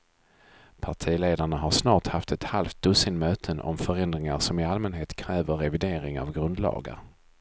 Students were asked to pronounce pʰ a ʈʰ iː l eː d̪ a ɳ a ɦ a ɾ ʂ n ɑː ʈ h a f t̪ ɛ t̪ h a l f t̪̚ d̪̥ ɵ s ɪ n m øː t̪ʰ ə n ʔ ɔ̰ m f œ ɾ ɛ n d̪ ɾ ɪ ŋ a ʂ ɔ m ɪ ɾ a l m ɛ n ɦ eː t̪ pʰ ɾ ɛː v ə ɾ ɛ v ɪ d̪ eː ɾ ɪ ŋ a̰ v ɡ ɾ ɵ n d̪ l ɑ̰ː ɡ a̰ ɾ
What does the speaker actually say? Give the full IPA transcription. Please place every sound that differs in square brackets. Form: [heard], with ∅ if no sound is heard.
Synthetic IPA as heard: pʰ a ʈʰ iː l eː d̪ a ɳ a ɦ a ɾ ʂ n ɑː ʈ h a f t̪ ɛ t̪ h a l f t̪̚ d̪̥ ɵ s ɪ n m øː t̪ʰ ə n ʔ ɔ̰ m f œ ɾ ɛ n d̪ ɾ ɪ ŋ a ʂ ɔ m ɪ [∅] a l m ɛ n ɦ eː t̪ [kʰ] ɾ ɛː v ə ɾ ɛ v ɪ d̪ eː ɾ ɪ ŋ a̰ v ɡ ɾ ɵ n d̪ l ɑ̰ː ɡ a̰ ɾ